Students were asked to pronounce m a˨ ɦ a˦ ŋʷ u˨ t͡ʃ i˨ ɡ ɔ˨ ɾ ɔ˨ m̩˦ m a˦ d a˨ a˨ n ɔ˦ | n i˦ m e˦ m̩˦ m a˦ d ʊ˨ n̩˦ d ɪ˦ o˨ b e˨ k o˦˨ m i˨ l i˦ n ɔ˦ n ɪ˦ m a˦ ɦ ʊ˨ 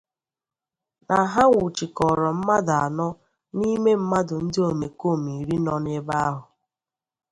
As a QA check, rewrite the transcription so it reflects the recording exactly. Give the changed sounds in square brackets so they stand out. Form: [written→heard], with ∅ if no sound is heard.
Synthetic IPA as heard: [m→n] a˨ ɦ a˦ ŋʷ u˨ t͡ʃ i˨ [ɡ→k] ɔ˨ ɾ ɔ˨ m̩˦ m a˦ d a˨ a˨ n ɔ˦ | n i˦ m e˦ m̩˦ m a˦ d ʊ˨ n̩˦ d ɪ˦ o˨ [b→m] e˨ k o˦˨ m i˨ [l→ɾ] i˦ n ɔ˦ n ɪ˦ [m→b] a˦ ɦ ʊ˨